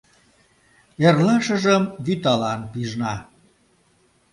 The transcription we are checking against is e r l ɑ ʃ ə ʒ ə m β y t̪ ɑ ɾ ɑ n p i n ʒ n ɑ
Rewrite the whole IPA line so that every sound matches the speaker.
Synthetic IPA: e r l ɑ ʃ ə ʒ ə m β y t̪ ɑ l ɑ n p i ʒ n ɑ